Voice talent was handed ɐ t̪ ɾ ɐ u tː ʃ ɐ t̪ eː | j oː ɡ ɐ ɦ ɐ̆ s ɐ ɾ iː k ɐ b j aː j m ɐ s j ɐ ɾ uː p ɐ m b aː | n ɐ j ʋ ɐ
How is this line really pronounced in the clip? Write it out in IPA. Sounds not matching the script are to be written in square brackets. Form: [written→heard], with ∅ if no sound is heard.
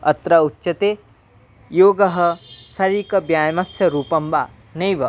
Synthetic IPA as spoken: ɐ t̪ ɾ ɐ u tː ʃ ɐ t̪ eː | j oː ɡ ɐ ɦ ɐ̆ s ɐ ɾ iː k ɐ b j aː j m ɐ s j ɐ ɾ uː p ɐ m b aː | n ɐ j ʋ ɐ